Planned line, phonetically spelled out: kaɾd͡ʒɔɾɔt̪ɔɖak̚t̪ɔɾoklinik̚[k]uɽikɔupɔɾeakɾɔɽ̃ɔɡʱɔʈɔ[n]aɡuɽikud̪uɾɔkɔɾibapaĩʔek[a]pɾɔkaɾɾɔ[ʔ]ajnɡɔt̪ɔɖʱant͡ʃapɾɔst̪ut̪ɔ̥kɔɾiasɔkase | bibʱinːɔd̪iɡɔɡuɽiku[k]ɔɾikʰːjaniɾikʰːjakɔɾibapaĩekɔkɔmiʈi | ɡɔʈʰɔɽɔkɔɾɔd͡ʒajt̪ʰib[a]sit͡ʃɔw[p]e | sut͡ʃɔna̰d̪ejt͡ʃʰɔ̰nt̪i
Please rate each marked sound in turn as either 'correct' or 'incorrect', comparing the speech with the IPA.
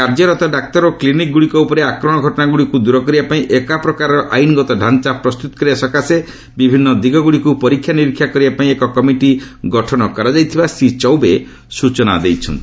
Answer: incorrect, correct, correct, correct, incorrect, correct, incorrect

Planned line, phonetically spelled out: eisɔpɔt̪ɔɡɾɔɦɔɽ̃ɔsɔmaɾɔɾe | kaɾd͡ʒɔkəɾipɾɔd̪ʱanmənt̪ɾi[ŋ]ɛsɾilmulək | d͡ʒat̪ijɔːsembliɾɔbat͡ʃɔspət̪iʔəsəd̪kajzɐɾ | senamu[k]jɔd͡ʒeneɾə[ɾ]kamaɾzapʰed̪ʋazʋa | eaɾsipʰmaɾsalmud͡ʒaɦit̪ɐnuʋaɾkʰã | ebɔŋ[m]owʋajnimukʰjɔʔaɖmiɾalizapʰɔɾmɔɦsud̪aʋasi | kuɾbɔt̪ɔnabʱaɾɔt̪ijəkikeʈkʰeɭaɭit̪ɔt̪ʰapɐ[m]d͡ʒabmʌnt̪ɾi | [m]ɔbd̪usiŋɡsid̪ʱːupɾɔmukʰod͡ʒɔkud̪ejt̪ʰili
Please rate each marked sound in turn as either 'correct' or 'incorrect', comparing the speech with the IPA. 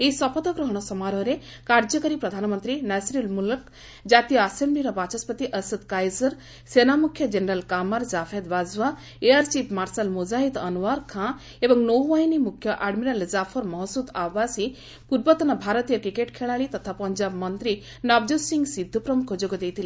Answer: incorrect, incorrect, incorrect, incorrect, incorrect, incorrect

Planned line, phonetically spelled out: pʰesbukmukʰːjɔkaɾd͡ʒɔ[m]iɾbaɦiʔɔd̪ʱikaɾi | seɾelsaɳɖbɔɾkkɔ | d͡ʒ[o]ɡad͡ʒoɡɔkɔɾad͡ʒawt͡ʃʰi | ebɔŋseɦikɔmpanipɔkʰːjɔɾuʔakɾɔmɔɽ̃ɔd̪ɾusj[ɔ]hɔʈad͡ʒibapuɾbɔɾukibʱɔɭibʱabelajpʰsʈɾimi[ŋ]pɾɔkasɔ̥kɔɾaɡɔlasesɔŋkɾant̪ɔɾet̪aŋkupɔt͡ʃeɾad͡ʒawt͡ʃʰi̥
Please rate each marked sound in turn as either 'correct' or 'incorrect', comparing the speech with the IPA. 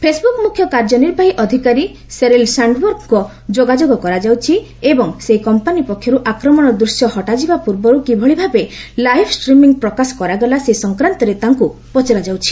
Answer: incorrect, correct, correct, correct

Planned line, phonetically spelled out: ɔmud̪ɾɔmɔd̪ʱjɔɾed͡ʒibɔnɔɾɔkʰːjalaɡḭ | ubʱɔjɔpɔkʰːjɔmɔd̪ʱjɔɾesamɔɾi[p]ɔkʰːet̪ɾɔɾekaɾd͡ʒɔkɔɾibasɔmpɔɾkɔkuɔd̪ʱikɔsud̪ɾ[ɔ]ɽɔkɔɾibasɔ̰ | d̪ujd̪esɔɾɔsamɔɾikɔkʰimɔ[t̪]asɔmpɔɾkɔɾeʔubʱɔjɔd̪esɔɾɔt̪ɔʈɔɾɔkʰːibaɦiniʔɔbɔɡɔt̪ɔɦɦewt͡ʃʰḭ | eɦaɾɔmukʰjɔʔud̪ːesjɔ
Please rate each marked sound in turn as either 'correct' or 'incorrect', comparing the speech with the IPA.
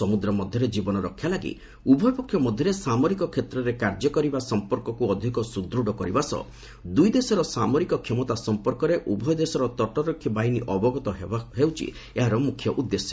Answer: incorrect, incorrect, correct

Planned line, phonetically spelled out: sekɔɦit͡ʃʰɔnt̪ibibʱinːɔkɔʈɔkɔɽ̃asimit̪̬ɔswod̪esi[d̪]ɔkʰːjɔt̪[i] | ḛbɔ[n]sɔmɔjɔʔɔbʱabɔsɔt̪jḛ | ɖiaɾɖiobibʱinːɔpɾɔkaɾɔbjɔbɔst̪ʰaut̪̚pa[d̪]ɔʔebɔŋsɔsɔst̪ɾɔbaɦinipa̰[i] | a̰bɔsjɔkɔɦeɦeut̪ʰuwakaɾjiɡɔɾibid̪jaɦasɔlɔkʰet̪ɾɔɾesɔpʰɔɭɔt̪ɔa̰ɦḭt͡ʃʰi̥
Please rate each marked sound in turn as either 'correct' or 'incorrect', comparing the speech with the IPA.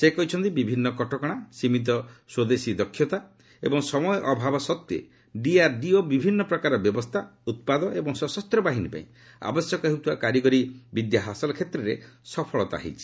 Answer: correct, incorrect, incorrect, correct, incorrect

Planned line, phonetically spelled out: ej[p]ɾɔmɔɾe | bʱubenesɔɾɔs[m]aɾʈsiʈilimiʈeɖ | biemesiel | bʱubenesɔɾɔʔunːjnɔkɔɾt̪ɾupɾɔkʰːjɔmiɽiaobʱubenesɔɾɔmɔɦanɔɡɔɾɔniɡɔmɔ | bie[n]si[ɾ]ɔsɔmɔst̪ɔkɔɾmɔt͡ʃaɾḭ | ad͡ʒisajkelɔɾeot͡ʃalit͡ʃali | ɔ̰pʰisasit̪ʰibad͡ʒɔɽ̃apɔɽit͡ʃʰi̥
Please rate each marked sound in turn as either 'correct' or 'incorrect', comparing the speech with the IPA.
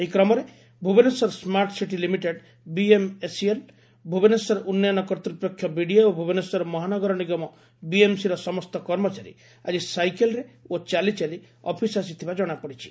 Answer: incorrect, correct, incorrect, correct

